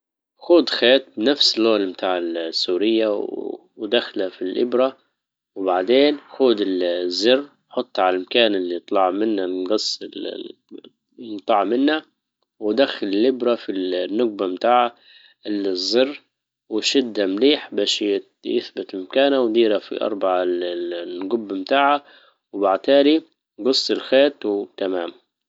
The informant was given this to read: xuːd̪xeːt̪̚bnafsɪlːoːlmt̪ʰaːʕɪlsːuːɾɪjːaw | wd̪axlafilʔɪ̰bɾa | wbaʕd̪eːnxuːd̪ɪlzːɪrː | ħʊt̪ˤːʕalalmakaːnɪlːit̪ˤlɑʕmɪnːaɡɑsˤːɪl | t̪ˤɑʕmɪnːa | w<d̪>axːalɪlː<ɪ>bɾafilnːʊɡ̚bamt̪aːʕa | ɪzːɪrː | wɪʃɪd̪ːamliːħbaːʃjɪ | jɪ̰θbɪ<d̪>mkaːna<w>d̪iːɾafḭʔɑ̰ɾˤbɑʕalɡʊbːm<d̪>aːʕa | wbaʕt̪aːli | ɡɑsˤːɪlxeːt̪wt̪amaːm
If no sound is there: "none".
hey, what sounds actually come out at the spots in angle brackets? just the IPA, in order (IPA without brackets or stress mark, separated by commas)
d̪, ɪ, t̪, w, t̪